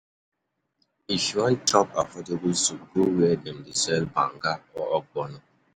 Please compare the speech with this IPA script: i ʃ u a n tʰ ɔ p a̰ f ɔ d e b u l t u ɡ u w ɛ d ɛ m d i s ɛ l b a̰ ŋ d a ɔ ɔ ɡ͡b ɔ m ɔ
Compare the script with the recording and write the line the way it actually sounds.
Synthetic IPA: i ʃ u a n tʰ ɔ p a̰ f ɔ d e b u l s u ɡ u w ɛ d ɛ m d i s ɛ l b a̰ ŋ ɡ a ɔ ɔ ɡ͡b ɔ n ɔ